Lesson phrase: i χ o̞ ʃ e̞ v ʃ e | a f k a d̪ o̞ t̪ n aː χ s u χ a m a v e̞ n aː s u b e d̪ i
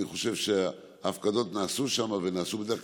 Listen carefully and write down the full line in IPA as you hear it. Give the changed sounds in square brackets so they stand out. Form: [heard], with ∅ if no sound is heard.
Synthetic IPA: i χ o̞ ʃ e̞ v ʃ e | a f k a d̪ o̞ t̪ n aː [∅] s u [ʃ] a m a v e̞ n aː s u b e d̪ [e]